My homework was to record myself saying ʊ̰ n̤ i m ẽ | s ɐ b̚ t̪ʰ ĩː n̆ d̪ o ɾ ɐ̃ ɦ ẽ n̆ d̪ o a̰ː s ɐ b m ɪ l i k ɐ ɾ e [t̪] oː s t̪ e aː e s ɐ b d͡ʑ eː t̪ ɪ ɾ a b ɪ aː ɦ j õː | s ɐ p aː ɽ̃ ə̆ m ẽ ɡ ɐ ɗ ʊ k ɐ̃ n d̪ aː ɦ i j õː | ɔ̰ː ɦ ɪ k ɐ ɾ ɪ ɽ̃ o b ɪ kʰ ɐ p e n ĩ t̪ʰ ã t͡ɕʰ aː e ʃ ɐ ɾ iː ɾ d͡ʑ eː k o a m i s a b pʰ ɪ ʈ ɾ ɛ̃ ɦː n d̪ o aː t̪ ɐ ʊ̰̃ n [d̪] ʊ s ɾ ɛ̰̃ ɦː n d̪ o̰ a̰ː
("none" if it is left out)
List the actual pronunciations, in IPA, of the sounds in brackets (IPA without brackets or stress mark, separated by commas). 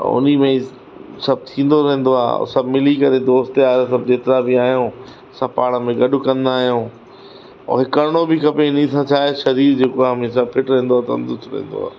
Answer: d̪, d̪